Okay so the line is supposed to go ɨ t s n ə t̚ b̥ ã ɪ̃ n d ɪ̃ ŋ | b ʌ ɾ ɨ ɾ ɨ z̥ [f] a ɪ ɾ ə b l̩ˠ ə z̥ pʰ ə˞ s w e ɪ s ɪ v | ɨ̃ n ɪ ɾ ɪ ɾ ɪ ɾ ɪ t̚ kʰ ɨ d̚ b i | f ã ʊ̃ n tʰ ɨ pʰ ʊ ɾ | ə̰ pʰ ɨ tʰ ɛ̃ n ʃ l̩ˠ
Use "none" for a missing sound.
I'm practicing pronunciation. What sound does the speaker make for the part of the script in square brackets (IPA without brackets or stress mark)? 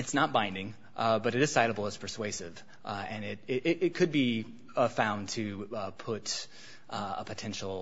s